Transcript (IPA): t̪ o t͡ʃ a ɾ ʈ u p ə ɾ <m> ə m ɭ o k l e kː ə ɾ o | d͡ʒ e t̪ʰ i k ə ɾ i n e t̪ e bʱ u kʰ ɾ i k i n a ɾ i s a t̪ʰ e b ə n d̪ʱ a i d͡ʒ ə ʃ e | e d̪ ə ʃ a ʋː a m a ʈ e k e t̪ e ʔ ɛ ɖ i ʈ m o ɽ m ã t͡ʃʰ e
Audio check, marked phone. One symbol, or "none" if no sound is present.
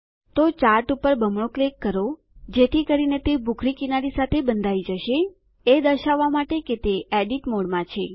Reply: b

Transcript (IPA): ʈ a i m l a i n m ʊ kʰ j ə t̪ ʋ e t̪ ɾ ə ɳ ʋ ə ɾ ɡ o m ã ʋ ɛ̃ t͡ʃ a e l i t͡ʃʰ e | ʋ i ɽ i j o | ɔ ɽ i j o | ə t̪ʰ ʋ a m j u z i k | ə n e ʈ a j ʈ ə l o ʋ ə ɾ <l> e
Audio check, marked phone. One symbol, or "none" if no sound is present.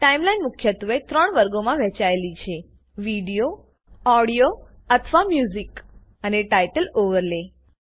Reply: l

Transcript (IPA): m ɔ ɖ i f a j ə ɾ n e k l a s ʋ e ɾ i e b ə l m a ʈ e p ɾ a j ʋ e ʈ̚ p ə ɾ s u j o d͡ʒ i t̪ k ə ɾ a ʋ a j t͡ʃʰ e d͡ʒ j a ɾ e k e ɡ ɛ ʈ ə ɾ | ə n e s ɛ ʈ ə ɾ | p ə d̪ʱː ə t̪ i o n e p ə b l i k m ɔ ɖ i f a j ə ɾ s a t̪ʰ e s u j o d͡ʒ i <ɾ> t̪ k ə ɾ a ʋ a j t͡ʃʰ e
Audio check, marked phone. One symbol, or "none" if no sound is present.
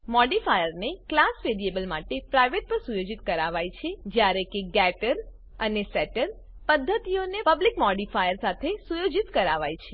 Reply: none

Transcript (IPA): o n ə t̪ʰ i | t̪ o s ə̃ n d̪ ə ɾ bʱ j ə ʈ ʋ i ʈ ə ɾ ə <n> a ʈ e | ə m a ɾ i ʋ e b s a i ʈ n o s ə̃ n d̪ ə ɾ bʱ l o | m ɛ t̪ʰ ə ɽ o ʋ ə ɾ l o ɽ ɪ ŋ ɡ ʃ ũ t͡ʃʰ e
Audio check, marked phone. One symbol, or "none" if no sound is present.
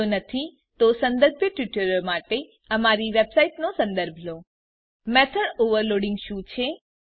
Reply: m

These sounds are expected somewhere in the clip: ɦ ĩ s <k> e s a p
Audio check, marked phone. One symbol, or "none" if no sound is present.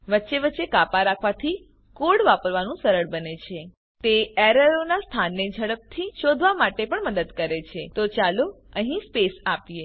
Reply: p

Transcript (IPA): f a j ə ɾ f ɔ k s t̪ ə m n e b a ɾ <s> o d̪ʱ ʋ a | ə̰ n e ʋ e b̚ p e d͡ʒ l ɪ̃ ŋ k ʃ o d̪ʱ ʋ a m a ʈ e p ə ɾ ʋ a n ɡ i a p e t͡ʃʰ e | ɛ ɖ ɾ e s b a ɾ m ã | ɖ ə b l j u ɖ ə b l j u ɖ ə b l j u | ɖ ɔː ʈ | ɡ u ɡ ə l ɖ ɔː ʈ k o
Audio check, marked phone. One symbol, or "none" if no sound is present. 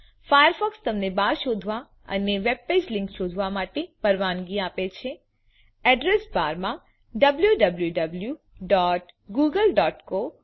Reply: ʃ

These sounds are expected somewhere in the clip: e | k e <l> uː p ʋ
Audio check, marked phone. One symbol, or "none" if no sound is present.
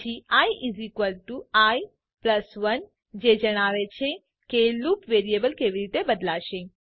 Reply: l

